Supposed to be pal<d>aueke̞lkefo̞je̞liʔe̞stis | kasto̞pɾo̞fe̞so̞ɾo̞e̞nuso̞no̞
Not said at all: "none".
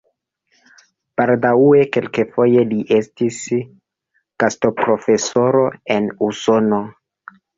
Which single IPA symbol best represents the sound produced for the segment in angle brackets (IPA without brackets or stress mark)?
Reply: d